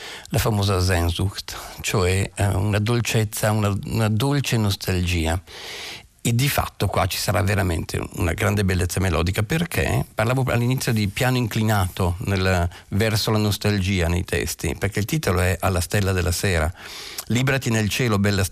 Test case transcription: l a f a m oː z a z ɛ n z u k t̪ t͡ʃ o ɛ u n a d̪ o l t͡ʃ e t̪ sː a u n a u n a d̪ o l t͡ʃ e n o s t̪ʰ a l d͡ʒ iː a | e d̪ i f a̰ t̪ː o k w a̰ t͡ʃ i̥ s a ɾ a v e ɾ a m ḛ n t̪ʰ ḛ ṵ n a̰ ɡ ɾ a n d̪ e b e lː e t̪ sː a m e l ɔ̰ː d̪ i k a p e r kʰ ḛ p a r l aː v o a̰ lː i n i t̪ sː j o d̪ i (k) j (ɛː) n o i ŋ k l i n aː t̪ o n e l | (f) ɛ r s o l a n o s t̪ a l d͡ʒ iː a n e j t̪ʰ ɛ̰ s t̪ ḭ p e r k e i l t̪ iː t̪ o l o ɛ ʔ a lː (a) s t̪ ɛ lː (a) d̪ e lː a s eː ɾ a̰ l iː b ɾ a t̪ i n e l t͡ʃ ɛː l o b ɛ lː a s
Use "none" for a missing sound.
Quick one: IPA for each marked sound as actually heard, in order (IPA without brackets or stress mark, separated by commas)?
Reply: p, aː, v, a, a